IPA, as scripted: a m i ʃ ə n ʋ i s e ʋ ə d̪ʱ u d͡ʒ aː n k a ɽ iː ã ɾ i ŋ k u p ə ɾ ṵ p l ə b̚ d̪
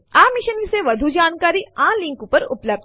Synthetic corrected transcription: a m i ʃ ə n ʋ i s e ʋ ə d̪ʱ u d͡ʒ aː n k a ɾ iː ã l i ŋ k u p ə ɾ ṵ p l ə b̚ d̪